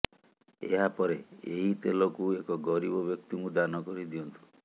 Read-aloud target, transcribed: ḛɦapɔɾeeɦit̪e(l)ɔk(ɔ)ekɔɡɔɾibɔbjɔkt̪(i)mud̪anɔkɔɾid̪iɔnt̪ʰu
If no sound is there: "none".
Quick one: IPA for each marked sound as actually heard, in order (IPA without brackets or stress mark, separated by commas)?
l, u, i